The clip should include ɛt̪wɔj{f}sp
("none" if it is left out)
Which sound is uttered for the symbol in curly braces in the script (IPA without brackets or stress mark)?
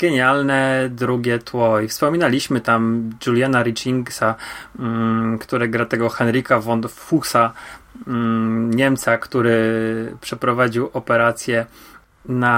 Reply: f